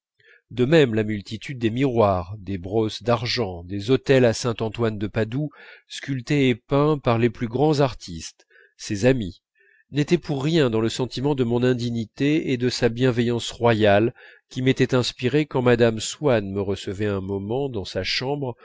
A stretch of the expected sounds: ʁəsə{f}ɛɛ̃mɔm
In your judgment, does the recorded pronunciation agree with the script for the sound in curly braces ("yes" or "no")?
no